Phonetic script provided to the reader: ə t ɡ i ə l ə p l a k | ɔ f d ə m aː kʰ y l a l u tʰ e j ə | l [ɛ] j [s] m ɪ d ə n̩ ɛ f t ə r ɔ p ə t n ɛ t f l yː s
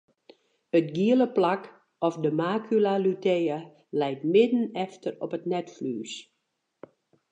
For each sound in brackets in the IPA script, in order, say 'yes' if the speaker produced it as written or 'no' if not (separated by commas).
yes, no